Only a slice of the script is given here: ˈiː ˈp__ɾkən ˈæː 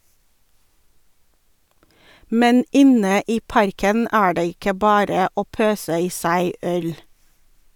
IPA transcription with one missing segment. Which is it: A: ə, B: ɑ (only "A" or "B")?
B